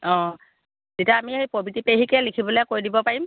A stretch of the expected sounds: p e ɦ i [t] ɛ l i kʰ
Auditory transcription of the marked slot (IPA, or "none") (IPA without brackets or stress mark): k